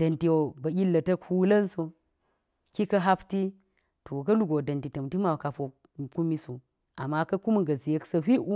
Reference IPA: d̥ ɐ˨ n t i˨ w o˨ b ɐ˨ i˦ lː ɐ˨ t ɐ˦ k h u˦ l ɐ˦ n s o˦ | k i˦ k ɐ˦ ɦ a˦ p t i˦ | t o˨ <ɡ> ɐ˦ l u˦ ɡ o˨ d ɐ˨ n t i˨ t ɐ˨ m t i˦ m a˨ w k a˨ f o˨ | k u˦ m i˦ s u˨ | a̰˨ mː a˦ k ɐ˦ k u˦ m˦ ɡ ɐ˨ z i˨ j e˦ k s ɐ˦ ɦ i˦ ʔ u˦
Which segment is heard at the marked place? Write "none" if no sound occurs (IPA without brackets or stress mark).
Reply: k